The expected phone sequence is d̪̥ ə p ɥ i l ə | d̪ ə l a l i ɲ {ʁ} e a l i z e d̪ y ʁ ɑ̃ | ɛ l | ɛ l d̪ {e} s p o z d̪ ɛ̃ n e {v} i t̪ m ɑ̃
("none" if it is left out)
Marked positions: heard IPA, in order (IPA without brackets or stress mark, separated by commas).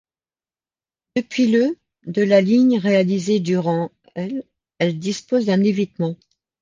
ʁ, i, v